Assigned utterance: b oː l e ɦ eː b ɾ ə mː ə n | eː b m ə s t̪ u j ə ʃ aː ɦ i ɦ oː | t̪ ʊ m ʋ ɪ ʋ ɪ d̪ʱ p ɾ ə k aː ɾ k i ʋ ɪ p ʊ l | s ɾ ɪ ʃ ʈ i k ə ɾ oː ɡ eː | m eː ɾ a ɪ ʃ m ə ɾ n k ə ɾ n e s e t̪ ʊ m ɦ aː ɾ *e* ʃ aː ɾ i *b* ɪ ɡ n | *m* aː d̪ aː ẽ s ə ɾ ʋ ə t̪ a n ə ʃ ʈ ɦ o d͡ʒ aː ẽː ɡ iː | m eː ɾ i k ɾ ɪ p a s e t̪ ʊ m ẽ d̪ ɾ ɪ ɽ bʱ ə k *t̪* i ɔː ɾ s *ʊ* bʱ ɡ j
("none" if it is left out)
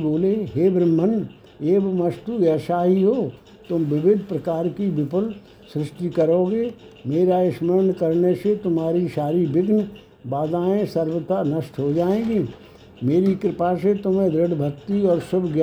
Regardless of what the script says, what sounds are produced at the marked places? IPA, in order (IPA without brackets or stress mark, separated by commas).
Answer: i, b, b, t̪, ʊ